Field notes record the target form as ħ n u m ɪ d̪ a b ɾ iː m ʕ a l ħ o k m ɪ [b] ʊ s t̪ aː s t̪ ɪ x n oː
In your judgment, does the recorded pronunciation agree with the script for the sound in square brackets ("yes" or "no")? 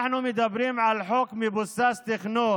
yes